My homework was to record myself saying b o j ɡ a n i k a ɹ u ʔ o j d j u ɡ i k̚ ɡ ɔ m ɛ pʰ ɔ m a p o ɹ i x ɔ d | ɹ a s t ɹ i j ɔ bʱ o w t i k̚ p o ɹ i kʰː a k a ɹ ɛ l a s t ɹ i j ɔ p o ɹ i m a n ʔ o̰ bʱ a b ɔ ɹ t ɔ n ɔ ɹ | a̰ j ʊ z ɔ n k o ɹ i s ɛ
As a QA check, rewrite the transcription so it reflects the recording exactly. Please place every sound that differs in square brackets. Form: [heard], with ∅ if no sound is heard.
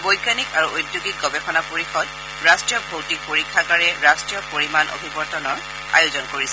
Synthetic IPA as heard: b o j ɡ a n i k a ɹ u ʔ o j d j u ɡ i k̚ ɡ ɔ [b] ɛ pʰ ɔ [n] a p o ɹ i x ɔ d | ɹ a s t ɹ i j ɔ bʱ o w t i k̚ p o ɹ i kʰː a k a ɹ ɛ [ɹ] a s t ɹ i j ɔ p o ɹ i m a n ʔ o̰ bʱ [i] b ɔ ɹ t ɔ n ɔ ɹ | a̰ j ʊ z ɔ n k o ɹ i s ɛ